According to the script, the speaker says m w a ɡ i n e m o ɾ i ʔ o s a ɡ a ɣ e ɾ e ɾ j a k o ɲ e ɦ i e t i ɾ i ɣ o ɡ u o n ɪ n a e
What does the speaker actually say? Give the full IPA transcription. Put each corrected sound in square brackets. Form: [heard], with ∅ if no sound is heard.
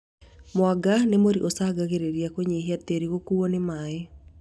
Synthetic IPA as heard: m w a ɡ [a] n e m o ɾ i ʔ o s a ɡ a ɣ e ɾ e ɾ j a k o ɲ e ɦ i [a] t [e] ɾ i ɣ o [k] u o n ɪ [m] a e